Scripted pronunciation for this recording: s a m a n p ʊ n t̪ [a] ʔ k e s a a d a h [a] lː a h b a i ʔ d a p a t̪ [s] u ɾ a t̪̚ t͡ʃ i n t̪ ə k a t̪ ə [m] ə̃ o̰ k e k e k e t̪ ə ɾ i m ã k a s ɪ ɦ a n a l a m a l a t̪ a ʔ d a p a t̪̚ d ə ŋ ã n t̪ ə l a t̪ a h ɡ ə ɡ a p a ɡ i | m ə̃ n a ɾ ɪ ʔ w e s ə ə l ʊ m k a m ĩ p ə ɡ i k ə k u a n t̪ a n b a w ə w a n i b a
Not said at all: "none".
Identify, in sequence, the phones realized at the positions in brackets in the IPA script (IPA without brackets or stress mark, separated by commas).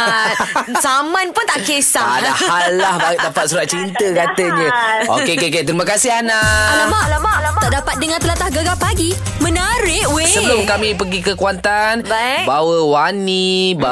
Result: a, a, s, ɲ